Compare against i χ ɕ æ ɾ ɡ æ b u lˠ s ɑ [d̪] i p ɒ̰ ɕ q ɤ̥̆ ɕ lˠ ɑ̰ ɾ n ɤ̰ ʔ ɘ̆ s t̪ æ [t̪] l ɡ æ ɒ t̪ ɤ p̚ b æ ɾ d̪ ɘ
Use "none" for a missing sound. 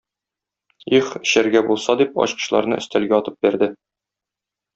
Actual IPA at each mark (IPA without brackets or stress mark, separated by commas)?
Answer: d̪, none